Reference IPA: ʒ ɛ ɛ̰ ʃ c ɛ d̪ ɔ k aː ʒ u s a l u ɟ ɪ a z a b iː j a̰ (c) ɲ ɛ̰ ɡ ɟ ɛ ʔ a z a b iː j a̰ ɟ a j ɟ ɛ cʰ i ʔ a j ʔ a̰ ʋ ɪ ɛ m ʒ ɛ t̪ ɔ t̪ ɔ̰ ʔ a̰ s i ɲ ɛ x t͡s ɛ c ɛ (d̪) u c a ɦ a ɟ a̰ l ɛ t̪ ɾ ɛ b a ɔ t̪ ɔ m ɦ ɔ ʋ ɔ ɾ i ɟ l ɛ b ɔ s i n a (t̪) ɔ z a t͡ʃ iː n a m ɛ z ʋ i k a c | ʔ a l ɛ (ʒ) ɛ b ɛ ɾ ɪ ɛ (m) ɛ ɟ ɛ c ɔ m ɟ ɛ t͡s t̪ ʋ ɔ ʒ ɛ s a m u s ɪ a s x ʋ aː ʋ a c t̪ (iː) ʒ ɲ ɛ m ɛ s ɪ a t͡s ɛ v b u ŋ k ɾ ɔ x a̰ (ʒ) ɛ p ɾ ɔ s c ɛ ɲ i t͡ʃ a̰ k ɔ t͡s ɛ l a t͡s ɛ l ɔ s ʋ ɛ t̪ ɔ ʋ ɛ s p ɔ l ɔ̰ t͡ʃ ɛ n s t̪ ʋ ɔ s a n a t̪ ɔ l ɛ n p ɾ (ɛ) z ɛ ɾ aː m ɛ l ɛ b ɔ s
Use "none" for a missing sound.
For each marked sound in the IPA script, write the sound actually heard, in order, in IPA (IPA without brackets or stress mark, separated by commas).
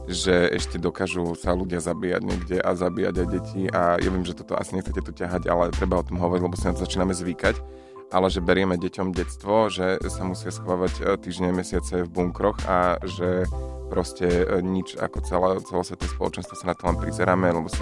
ɟ, t̪, t̪, ʒ, m, iː, ʒ, i